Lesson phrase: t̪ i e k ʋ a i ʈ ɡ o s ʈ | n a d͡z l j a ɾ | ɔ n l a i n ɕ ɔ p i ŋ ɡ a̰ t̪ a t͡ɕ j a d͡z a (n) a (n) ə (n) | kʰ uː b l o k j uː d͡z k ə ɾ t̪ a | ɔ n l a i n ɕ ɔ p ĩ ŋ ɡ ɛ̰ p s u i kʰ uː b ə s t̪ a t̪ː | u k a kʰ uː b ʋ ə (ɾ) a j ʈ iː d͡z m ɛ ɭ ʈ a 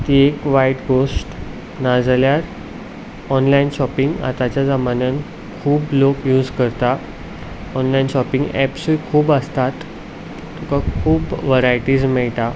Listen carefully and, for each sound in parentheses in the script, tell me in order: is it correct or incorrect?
incorrect: m, correct, correct, correct

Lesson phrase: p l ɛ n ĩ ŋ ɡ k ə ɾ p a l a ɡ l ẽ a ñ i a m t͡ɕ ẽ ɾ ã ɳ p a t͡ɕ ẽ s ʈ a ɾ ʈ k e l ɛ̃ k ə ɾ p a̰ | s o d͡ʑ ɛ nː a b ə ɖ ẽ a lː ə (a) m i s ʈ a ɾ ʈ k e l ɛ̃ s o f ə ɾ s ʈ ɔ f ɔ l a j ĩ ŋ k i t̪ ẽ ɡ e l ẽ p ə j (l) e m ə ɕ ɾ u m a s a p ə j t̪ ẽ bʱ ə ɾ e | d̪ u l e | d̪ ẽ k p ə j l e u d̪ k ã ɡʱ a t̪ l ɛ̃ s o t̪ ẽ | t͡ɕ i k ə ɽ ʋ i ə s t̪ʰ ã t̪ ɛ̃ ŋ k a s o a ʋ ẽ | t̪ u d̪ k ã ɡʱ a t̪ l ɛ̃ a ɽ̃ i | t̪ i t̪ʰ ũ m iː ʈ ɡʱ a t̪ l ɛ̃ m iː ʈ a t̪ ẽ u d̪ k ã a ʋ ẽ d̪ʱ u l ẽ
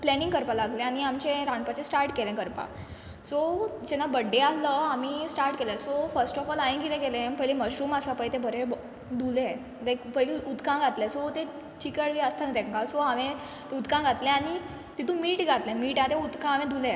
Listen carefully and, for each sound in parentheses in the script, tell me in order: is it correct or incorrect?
correct, correct

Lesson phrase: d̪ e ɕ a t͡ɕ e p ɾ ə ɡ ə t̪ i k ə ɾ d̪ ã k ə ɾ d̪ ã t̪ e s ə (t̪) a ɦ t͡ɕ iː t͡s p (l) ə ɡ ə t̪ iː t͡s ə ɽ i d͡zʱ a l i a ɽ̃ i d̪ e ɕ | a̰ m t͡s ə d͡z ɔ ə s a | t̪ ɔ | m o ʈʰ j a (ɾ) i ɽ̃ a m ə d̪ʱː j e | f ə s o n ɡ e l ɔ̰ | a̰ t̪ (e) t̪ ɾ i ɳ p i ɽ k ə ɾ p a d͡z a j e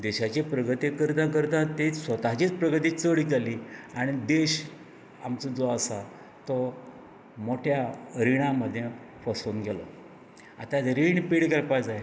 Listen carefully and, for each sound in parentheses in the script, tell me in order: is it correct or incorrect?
correct, incorrect: ɾ, correct, incorrect: a

